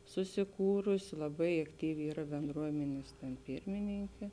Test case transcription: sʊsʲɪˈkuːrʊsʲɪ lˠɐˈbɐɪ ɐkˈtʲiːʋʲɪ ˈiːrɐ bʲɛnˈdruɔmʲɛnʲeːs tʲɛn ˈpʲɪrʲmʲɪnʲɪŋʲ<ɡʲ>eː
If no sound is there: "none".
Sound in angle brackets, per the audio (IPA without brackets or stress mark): kʲ